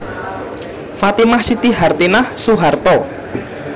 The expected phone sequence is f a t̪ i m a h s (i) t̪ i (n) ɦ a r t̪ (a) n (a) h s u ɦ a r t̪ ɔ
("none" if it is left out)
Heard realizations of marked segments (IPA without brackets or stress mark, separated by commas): i, none, i, a